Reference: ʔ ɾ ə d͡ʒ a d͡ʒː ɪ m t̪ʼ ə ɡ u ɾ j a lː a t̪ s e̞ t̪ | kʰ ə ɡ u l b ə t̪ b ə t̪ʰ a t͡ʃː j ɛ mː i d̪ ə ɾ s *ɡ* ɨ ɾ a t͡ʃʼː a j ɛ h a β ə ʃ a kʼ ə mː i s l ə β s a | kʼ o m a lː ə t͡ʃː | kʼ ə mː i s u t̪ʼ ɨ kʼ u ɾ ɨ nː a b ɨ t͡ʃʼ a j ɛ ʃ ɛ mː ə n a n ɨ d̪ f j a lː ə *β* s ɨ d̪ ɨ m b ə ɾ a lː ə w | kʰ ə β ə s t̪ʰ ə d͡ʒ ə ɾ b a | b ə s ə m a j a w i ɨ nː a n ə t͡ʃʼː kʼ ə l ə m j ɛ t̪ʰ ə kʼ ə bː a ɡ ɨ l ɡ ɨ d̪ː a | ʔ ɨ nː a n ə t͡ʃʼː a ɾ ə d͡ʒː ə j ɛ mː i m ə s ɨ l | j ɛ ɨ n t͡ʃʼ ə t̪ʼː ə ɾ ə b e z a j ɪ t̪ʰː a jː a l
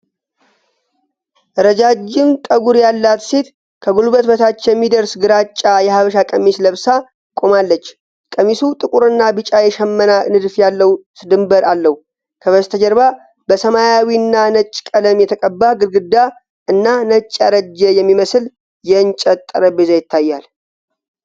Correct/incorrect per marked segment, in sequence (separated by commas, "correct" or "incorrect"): correct, incorrect